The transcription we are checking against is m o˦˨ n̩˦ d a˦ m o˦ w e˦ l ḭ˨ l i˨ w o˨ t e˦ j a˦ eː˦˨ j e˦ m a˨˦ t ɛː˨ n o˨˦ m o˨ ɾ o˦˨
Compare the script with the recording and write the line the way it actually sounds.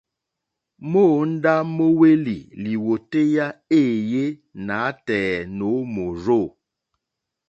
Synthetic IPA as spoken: m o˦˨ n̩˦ d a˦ m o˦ w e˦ l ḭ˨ l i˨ w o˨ t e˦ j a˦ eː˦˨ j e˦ n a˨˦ t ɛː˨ n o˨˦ m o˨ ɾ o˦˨